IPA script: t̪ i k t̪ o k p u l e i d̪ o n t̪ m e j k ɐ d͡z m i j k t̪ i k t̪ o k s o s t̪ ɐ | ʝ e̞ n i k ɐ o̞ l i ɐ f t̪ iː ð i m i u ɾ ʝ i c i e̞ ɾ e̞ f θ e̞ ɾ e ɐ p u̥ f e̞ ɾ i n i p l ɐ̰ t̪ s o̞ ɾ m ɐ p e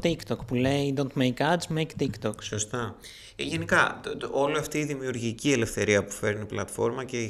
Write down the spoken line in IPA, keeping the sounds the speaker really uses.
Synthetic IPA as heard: t̪ i k t̪ o k p u l e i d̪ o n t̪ m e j k ɐ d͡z m e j k t̪ i k t̪ o k s o s t̪ ɐ | ʝ e̞ n i k ɐ o̞ l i ɐ f t̪ iː ð i m i u ɾ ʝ i c i e̞ l e̞ f θ e̞ ɾ i ɐ p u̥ f e̞ ɾ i n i p l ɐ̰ t̪ f o̞ ɾ m ɐ c e